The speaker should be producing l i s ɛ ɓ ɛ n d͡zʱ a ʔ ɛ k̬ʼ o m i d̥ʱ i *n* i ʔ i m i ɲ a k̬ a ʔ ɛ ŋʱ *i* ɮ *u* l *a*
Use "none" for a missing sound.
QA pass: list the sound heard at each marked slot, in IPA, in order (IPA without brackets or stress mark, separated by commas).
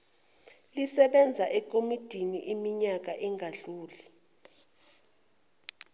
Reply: n, a, uː, i